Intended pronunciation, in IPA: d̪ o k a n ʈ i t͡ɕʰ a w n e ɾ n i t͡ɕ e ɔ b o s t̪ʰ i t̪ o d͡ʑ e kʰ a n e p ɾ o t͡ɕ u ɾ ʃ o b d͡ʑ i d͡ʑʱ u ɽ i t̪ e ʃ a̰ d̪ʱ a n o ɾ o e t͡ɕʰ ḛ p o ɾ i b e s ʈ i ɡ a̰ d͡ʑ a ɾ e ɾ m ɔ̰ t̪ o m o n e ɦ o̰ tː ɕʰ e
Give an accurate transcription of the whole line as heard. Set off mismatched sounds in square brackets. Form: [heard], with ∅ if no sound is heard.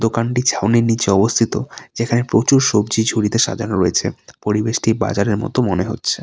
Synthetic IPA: d̪ o k a n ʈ i t͡ɕʰ a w n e ɾ n i t͡ɕ e ɔ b o s t̪ʰ i t̪ o d͡ʑ e kʰ a n e p ɾ o t͡ɕ u ɾ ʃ o b d͡ʑ i d͡ʑʱ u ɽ i t̪ e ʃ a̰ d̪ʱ a n o ɾ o e t͡ɕʰ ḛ p o ɾ i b e [ʃ] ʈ i [b] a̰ d͡ʑ a ɾ e ɾ m ɔ̰ t̪ o m o n e ɦ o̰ tː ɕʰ e

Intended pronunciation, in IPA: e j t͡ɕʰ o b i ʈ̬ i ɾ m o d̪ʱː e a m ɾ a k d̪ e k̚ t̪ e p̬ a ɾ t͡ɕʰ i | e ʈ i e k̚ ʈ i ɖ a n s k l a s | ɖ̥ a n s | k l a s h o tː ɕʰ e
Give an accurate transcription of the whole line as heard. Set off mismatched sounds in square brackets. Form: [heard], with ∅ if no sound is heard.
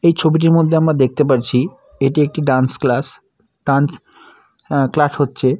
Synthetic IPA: e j t͡ɕʰ o b i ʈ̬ i ɾ m o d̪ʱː e a m ɾ a [∅] d̪ e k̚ t̪ e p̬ a ɾ t͡ɕʰ i | e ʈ i e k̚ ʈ i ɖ a n s k l a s | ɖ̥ a n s | k l a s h o tː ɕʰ e

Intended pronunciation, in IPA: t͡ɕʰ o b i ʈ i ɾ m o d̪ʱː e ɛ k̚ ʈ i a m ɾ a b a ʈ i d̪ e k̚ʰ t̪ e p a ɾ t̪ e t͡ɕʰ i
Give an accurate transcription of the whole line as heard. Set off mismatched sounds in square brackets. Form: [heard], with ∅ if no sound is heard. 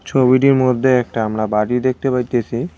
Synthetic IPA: t͡ɕʰ o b i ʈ i ɾ m o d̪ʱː e ɛ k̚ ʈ [a] a m ɾ a b a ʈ i d̪ e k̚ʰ t̪ e p a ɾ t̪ e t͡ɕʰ i

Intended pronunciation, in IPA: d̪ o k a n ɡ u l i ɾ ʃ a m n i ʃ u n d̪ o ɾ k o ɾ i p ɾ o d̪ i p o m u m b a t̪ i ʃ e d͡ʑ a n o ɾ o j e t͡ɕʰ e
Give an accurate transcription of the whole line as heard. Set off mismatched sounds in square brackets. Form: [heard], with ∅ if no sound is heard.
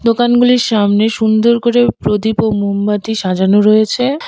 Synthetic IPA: d̪ o k a n ɡ u l i ɾ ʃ a m n [e] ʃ u n d̪ o ɾ k o ɾ [e] p ɾ o d̪ i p o m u m b a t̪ i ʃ [a] d͡ʑ a n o ɾ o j e t͡ɕʰ e

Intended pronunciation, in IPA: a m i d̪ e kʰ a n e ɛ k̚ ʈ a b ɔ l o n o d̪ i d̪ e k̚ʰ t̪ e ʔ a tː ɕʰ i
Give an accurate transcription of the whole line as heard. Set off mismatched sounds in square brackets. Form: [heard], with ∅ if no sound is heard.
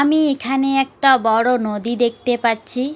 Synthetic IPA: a m i [∅] e kʰ a n e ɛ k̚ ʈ a b ɔ [ɽ] o n o d̪ i d̪ e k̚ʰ t̪ e [p] a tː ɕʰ i

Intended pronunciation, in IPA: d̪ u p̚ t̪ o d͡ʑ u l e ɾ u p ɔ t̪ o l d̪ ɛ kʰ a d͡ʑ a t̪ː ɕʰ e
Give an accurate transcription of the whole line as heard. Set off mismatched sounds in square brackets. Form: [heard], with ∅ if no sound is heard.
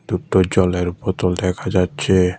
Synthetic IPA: d̪ u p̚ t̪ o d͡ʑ [ɔ] l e ɾ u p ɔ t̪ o l d̪ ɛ kʰ a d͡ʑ a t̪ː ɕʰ e

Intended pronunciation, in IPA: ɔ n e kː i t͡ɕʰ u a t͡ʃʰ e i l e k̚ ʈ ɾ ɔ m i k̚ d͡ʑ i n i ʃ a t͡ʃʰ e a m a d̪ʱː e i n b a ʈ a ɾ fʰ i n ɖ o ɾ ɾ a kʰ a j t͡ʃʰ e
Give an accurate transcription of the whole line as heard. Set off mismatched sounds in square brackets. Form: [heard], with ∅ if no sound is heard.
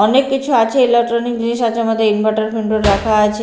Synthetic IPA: ɔ n e kː i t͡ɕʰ u a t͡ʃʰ e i l e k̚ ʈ ɾ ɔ [n] i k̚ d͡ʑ i n i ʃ a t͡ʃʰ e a m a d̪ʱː e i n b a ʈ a ɾ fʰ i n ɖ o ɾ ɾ a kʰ a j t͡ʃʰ e

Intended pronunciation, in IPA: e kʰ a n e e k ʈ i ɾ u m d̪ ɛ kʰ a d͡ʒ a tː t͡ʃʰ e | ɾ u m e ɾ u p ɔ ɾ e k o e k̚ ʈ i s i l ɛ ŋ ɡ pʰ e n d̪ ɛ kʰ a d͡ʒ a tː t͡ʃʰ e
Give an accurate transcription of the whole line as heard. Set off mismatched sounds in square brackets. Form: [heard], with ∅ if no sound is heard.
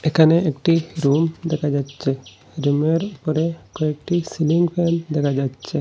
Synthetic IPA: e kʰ a n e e k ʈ i ɾ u m d̪ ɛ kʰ a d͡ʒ a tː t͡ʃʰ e | ɾ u m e ɾ u p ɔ ɾ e k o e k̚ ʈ i s i l [i] ŋ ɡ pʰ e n d̪ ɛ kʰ a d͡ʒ a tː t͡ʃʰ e

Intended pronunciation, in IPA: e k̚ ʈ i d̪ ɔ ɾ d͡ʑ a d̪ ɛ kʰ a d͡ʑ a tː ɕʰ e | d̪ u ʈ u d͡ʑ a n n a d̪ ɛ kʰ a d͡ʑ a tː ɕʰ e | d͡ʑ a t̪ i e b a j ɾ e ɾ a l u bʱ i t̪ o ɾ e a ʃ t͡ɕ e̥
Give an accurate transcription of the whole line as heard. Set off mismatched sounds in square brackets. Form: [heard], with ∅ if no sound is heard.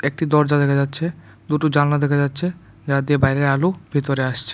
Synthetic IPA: e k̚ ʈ i d̪ ɔ ɾ d͡ʑ a d̪ ɛ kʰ a d͡ʑ a tː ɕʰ e | d̪ u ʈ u d͡ʑ a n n a d̪ ɛ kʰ a d͡ʑ a tː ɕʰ e | d͡ʑ a [d̪] i e b a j ɾ e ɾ a l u bʱ i t̪ o ɾ e a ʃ [t͡ɕʰ] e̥

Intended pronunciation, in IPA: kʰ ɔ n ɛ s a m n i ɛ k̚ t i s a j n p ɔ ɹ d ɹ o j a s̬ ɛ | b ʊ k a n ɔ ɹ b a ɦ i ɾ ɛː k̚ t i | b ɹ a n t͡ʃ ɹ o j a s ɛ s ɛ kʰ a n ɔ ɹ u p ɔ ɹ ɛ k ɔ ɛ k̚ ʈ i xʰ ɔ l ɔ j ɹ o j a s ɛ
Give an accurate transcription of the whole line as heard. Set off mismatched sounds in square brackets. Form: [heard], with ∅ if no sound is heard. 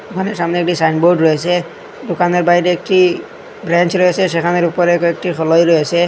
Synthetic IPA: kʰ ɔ n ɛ s a m n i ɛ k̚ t i s a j n [b] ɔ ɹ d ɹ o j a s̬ ɛ | [d] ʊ k a n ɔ ɹ b a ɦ i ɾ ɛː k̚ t i | b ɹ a n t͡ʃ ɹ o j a s ɛ s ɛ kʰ a n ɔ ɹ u p ɔ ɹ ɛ k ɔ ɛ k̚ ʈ i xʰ ɔ l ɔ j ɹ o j a s ɛ

